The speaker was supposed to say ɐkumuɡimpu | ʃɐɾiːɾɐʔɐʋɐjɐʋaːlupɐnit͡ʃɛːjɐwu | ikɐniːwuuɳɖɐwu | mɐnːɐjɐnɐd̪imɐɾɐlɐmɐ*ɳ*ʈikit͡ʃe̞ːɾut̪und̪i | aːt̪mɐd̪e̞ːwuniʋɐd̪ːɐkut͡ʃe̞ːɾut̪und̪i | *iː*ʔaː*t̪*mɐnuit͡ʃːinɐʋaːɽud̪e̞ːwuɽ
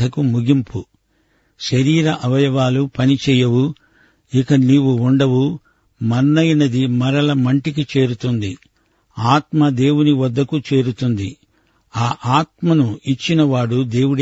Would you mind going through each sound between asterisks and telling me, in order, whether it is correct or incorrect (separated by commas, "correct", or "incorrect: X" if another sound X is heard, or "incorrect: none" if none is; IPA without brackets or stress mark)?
correct, incorrect: aː, correct